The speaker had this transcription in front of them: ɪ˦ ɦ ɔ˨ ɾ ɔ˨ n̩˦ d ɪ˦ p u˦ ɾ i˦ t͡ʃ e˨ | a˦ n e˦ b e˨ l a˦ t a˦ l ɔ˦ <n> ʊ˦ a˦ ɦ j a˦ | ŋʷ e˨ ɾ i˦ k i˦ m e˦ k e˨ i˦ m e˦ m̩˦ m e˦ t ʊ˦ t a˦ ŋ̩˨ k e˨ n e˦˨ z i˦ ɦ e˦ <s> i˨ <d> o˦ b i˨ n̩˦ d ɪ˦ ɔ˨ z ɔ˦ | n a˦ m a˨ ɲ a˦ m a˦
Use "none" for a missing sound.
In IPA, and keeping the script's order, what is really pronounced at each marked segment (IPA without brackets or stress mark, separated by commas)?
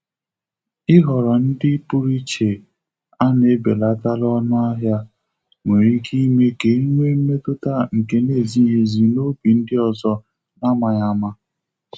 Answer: n, z, n